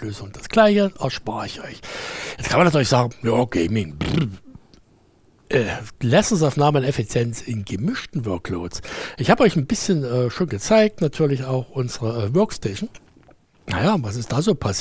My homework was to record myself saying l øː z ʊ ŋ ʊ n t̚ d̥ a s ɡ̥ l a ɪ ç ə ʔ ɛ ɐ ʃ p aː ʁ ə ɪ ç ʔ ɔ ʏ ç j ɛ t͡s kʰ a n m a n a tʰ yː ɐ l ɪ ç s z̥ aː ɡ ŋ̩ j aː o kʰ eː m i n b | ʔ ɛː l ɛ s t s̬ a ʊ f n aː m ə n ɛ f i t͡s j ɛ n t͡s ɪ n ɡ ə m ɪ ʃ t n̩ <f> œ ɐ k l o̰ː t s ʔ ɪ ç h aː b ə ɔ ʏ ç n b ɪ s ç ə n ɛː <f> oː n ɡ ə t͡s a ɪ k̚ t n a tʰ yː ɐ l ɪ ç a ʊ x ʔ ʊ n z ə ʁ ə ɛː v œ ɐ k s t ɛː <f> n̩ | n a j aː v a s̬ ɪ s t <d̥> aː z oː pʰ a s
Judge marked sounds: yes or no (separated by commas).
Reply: no, no, no, yes